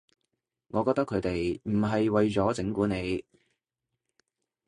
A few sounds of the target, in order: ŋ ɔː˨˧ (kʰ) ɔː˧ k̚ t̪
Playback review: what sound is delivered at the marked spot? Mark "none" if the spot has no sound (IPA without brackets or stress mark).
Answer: k